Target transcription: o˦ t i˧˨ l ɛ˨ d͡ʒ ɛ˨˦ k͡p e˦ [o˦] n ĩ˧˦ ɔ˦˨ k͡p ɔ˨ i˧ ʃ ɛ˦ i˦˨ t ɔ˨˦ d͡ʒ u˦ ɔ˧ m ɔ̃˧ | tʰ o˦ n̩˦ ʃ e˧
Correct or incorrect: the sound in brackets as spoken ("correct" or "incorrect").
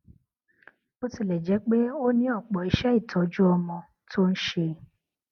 correct